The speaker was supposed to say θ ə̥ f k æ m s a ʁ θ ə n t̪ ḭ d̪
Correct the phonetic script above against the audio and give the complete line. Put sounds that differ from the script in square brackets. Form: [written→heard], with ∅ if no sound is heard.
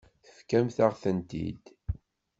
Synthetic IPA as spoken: θ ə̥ f k æ m [s→θ] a ʁ θ ə n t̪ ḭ d̪